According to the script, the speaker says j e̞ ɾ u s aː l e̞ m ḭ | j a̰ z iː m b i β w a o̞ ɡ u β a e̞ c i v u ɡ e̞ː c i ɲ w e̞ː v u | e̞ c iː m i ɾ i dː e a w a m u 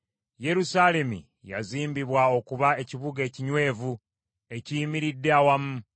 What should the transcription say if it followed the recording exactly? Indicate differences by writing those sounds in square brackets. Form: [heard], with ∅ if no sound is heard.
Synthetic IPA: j e̞ ɾ u s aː l e̞ m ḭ | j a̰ z iː m b i β w a o̞ [k] u β a e̞ c i [β] u ɡ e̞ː c i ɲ w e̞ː v u | e̞ c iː m i ɾ i dː e a w a m u